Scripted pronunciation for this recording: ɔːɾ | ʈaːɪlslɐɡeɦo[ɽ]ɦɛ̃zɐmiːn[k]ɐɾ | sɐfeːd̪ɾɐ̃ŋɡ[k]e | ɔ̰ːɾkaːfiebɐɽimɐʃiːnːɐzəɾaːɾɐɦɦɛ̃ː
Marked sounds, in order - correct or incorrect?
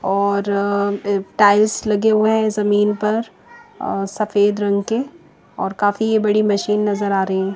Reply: incorrect: none, incorrect: p, correct

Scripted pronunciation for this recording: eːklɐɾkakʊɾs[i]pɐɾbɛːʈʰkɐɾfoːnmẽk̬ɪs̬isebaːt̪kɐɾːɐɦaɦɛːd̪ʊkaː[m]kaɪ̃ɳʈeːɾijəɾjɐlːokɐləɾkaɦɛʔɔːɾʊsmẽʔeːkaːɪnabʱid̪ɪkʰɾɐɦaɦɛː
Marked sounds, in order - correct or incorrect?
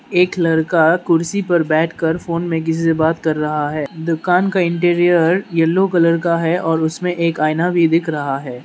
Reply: correct, incorrect: n

